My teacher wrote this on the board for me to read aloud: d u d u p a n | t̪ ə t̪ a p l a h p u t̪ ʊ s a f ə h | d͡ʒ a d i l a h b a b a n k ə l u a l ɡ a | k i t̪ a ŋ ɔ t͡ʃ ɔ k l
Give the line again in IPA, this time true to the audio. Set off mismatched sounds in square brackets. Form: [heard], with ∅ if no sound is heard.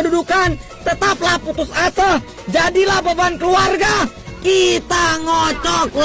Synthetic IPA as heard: d u d u [k] a n | t̪ ə t̪ a p l a h p u t̪ ʊ s a [s] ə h | d͡ʒ a d i l a h b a b a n k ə l u a [r] ɡ a | k i t̪ a ŋ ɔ t͡ʃ ɔ k l

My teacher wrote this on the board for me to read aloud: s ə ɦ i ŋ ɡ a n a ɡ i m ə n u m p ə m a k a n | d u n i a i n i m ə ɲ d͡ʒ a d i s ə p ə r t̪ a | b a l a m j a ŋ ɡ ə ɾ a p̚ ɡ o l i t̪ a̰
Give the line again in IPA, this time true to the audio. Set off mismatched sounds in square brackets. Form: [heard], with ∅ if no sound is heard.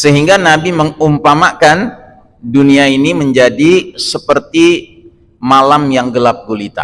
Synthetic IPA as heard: s ə ɦ i ŋ ɡ a n a [b] i m ə [ŋ] u m p [a] m a k a n | d u n i a i n i m ə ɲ d͡ʒ a d i s ə p ə r t̪ [i] | [m] a l a m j a ŋ ɡ ə [l] a p̚ ɡ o l i t̪ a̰

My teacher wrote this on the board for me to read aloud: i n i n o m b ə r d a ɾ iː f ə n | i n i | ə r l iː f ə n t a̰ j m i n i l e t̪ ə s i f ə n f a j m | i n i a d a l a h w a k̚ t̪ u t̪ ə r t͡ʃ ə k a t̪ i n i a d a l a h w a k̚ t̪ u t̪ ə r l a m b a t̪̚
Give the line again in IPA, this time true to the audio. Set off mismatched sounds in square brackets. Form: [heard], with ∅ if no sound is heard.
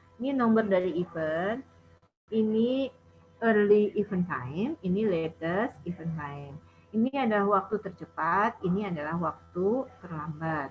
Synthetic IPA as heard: i n i n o m b ə r d a ɾ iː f ə n | i n i | ə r l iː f ə n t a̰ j m i n i l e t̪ ə s i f ə n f a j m | i n i a d a l a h w a k̚ t̪ u t̪ ə r t͡ʃ ə [p] a t̪ i n i a d a l a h w a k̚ t̪ u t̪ ə r l a m b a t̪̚

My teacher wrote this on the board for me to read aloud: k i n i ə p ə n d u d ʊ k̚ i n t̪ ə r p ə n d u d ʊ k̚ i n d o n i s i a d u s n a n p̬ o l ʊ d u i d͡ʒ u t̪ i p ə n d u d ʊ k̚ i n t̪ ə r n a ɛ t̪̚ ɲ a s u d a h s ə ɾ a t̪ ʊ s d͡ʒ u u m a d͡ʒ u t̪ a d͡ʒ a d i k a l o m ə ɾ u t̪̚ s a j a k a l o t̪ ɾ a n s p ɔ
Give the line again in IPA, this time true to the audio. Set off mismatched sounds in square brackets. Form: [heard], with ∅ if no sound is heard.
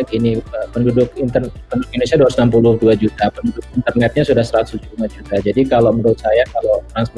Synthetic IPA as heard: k i n i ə p ə n d u d ʊ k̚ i n t̪ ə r p ə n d u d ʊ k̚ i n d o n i s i a d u s n a [m] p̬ [u] l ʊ d u [a] d͡ʒ u t̪ [a] p ə n d u d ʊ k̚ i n t̪ ə r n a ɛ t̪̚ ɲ a s u d a h s ə ɾ a t̪ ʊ s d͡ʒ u u m a d͡ʒ u t̪ a d͡ʒ a d i k a l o m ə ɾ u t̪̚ s a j a k a l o t̪ ɾ a n s p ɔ

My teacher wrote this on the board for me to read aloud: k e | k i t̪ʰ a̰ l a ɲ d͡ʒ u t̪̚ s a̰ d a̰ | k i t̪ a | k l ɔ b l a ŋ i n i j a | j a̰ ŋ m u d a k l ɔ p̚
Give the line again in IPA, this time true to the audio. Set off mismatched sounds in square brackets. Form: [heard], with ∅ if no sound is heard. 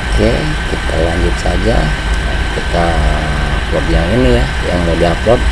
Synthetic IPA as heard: k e | k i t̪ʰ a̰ l a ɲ d͡ʒ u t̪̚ s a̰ [d͡ʒ] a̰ | k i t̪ a | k l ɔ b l a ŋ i n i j a | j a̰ ŋ m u d a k l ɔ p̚

